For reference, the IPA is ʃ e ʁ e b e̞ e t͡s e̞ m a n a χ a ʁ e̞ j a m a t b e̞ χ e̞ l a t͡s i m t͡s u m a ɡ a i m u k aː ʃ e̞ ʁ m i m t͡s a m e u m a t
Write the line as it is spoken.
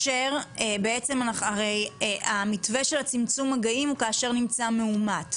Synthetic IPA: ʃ e ʁ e b e̞ e t͡s e̞ m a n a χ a ʁ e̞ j a m i t v e̞ ʃ e̞ l a t͡s i m t͡s u m a ɡ a i m u k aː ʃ e̞ ʁ n i m t͡s a m e u m a t